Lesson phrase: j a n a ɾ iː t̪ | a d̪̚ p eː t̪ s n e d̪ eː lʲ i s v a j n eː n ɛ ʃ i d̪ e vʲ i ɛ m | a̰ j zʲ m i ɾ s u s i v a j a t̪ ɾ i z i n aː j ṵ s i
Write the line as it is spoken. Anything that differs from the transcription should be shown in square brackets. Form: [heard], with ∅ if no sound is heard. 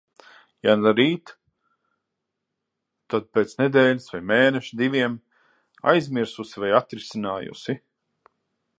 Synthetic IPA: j a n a ɾ iː t̪ | a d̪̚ p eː t̪ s n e d̪ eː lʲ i s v a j [m] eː n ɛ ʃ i d̪ [i] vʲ i ɛ m | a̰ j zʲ m i ɾ s u s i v a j a t̪ ɾ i [s] i n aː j ṵ s i